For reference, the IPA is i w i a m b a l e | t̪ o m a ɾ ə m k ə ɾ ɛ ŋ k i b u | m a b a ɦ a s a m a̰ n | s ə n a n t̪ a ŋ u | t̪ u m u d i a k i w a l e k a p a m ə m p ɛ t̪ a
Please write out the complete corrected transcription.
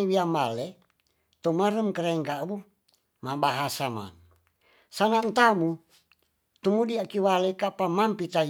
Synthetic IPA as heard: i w i a m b a l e | t̪ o m a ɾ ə m k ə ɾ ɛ ŋ k a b u | m a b a ɦ a s a m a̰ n | s a n a n t̪ a m u | t̪ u m u d i a k i w a l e k a p a m a m p i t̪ a